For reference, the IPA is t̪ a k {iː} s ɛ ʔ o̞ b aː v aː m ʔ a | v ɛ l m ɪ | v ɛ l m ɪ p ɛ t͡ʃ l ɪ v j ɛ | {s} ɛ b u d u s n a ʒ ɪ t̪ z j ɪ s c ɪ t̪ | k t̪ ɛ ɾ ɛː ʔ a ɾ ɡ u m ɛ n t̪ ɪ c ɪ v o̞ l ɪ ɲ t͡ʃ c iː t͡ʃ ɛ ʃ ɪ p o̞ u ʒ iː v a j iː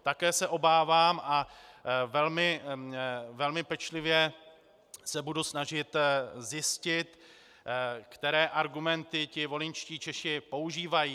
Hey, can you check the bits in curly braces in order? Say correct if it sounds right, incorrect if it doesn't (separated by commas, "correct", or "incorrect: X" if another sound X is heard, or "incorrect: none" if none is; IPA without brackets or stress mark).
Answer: incorrect: ɛː, correct